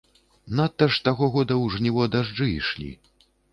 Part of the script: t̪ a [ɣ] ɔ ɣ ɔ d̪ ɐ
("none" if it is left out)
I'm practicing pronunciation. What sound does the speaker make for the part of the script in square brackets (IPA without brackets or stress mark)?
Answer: ɣ